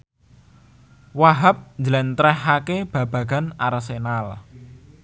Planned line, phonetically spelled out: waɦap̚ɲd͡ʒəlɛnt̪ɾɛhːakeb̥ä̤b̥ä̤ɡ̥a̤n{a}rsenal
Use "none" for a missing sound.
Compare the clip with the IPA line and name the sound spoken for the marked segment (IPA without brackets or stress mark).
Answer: a